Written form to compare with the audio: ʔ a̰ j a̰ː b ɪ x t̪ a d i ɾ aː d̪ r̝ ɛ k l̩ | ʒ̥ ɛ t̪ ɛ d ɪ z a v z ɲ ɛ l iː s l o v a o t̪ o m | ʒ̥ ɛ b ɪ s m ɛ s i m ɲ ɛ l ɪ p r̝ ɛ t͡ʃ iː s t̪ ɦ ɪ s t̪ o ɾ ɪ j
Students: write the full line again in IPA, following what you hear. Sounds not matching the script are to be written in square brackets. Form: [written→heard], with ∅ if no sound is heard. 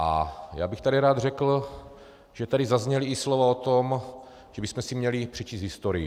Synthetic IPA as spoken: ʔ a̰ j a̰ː b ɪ x t̪ a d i ɾ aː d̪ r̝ ɛ k l̩ | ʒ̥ ɛ t̪ [ɛ→a] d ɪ z a [v→∅] z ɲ ɛ l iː s l o v a o t̪ o m | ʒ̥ ɛ b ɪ s m ɛ s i m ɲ ɛ l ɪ p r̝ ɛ t͡ʃ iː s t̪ ɦ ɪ s t̪ o ɾ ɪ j